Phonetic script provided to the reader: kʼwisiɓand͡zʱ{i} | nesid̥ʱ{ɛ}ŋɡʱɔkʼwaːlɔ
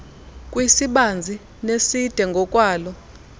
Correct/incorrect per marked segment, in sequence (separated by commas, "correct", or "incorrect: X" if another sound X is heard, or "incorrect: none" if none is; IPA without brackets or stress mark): correct, correct